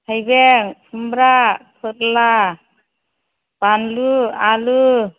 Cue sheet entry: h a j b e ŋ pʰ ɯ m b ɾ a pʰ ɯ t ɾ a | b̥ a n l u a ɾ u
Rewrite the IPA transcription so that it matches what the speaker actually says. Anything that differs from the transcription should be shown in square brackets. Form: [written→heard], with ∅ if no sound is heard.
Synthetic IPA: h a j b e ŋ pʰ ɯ m b ɾ a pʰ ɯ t [ɾ→l] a | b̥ a n l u a [ɾ→l] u